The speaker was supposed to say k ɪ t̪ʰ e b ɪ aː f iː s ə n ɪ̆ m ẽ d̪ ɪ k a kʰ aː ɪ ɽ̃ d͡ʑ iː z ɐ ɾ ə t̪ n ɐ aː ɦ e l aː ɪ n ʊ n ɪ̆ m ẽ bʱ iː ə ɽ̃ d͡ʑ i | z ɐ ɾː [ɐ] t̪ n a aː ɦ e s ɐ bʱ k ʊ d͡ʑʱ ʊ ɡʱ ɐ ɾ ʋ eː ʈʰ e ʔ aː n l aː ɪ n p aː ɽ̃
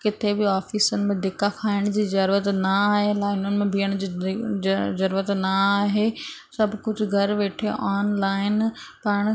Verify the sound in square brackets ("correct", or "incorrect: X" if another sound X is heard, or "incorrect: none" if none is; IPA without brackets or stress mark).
incorrect: ə